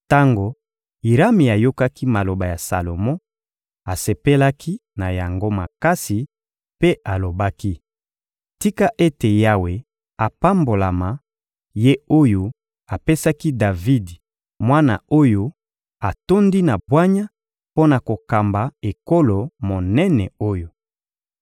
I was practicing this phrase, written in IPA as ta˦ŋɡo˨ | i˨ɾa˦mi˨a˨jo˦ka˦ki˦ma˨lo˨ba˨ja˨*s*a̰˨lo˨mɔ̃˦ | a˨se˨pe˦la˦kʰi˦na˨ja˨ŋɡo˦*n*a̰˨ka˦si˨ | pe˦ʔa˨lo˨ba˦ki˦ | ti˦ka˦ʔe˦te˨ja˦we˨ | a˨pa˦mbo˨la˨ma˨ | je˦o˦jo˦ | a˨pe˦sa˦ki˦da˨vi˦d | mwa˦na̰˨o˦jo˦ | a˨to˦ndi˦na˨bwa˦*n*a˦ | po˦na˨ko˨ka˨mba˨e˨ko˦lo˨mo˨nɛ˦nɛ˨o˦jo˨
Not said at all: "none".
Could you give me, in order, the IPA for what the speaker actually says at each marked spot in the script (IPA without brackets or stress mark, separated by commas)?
s, m, ɲ